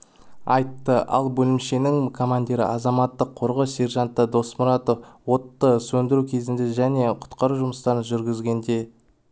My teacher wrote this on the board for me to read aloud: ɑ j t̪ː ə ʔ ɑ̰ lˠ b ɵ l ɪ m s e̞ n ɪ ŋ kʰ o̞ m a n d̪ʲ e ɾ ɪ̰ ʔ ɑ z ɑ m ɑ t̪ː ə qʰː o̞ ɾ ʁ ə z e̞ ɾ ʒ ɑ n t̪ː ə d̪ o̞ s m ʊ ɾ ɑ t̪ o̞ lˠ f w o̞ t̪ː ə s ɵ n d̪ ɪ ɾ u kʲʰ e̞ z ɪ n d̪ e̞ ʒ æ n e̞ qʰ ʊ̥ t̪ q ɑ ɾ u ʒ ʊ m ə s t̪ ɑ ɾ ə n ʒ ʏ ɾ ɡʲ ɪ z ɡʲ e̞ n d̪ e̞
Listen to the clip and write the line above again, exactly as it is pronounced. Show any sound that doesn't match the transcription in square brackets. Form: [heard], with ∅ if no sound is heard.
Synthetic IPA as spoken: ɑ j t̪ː ə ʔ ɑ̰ lˠ b ɵ l ɪ m [ʃ] e̞ n ɪ ŋ kʰ o̞ m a n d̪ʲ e ɾ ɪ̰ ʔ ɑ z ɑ m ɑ t̪ː ə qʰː o̞ ɾ ʁ ə [s] e̞ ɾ ʒ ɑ n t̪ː ə d̪ o̞ s m ʊ ɾ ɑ t̪ o̞ [∅] f w o̞ t̪ː ə s ɵ n d̪ ɪ ɾ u kʲʰ e̞ z ɪ n d̪ e̞ ʒ æ n e̞ qʰ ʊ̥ t̪ q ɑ ɾ u ʒ ʊ m ə s t̪ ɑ ɾ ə n ʒ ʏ ɾ ɡʲ ɪ z ɡʲ e̞ n d̪ e̞